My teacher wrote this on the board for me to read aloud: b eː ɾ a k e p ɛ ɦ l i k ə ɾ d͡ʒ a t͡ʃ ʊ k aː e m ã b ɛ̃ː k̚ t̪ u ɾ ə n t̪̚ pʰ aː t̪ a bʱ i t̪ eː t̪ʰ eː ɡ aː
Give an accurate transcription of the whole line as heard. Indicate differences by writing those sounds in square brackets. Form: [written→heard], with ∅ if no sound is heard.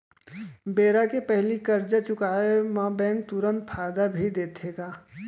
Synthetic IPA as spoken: b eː ɾ a k e p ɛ ɦ l i k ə ɾ d͡ʒ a t͡ʃ ʊ k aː e m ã b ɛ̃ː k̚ t̪ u ɾ ə n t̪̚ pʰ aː [t̪→d̪] a bʱ i [t̪→d̪] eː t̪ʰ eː ɡ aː

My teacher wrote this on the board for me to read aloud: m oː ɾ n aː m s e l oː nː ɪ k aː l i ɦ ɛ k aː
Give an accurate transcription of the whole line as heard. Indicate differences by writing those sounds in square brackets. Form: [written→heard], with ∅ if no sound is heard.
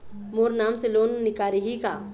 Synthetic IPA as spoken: m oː ɾ n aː m s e l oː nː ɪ k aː [l→ɾ] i ɦ [ɛ→i] k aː

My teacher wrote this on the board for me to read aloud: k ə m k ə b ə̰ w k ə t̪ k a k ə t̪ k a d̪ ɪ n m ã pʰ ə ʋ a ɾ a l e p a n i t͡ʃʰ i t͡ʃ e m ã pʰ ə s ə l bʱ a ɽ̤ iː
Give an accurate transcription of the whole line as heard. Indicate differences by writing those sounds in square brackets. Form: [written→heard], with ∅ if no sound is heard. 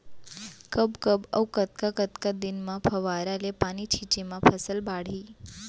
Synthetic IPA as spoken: k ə [m→b] k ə b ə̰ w k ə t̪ k a k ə t̪ k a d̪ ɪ n m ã pʰ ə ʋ a ɾ a l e p a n i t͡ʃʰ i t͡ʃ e m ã pʰ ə s ə l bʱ a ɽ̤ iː

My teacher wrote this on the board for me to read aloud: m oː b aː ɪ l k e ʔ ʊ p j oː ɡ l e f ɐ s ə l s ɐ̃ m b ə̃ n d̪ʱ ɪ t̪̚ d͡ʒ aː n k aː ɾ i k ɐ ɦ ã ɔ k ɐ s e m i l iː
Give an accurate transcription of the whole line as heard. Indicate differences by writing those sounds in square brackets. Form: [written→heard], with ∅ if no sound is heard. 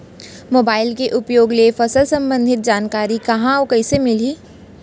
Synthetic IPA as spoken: m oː b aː ɪ l k e ʔ ʊ p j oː ɡ l e f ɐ s ə l s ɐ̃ m b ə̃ n d̪ʱ ɪ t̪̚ d͡ʒ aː n k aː ɾ i k ɐ ɦ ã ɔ k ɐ s e m [i→ɪ] l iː

